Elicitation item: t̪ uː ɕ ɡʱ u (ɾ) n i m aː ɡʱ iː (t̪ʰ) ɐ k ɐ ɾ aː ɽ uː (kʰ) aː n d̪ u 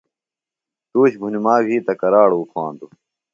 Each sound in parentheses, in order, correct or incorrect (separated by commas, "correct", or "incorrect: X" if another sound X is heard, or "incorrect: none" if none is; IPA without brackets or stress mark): incorrect: none, incorrect: t̪, correct